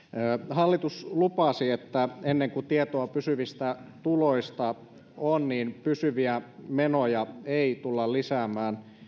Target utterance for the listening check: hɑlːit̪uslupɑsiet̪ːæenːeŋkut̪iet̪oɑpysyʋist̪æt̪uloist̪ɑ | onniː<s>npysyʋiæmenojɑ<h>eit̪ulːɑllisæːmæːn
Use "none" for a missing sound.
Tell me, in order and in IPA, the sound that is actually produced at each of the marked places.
none, none

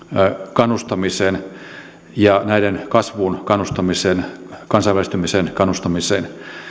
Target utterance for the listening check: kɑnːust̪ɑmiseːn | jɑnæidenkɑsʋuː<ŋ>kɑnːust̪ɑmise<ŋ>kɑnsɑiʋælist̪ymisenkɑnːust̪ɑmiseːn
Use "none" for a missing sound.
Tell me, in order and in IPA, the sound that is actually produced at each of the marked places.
n, n

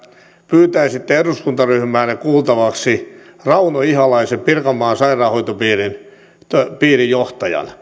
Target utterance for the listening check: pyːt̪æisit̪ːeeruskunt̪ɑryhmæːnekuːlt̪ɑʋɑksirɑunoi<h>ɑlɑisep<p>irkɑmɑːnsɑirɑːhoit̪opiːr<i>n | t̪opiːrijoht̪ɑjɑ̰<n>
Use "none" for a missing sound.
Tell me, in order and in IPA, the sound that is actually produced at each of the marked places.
h, p, i, n

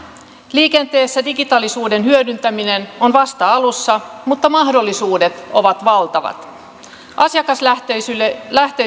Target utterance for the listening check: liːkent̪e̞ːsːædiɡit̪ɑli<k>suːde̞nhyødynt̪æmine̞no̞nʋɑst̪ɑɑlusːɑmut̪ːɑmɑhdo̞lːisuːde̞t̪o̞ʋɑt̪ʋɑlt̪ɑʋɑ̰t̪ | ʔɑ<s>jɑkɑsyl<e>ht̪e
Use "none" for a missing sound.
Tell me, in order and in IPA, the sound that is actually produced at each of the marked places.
none, s, æ

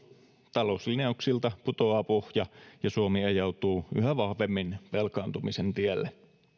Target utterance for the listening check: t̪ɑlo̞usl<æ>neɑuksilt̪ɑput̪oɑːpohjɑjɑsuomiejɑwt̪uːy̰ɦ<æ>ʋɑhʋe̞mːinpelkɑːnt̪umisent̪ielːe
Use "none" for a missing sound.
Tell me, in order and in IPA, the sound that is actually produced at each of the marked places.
i, æ

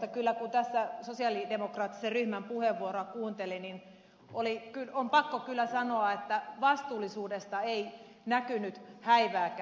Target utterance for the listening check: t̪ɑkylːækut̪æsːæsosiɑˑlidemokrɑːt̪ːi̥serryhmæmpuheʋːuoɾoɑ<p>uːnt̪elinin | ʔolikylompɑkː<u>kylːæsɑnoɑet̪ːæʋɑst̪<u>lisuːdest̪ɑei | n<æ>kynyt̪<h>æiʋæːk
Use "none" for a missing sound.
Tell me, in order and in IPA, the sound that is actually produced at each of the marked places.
k, o, uː, æ, h

